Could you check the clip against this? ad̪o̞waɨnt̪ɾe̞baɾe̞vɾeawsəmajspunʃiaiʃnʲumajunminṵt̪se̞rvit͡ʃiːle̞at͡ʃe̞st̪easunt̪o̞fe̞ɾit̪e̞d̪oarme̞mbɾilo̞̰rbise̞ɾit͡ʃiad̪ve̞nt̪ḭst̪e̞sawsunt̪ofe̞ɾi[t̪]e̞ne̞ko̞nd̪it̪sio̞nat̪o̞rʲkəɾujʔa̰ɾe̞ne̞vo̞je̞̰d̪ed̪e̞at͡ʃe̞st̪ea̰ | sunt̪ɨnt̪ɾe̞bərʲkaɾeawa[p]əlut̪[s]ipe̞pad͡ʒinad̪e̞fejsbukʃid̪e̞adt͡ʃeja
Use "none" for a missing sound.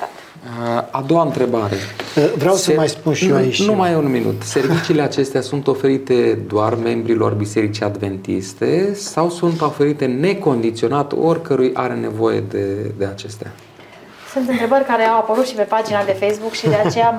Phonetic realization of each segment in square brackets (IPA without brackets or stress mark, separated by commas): t̪, p, ʃ